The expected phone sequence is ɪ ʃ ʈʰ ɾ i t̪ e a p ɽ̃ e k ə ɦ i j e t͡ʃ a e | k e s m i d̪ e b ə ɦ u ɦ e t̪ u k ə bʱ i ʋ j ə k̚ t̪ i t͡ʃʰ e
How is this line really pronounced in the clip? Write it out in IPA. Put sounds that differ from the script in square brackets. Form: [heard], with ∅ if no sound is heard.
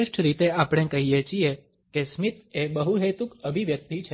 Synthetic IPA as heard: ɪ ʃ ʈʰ ɾ i t̪ e a p ɽ̃ e k ə ɦ i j e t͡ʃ [i] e | k e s m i [t̪] e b ə ɦ u ɦ e t̪ u k ə bʱ i ʋ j ə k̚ t̪ i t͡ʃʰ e